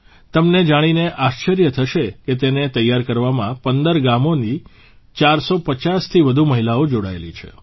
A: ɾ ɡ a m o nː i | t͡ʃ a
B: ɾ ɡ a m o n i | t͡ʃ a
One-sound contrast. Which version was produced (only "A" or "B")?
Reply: B